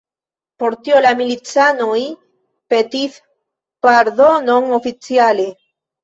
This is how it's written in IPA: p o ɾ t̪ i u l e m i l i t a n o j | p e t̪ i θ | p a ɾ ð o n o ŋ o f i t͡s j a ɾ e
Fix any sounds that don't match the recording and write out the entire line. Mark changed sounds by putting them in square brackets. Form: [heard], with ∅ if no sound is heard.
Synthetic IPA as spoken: p o ɾ t̪ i [o] l [a] m i l i [t͡s] a n o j | p e t̪ i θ | p a ɾ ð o n o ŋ o f i t͡s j a [l] e